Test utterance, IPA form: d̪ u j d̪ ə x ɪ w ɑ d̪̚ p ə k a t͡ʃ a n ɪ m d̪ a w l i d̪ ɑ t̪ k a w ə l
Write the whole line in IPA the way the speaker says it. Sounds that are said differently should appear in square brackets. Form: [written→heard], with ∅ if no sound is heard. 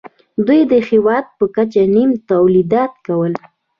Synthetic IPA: d̪ u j d̪ ə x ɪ w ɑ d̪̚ p ə k a t͡ʃ a n [ɪ→i] m [d̪→t̪] a w l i d̪ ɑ t̪ k a w ə l